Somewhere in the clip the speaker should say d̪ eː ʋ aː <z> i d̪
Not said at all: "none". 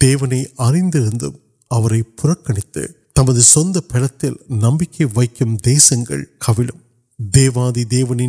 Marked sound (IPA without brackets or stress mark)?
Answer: ð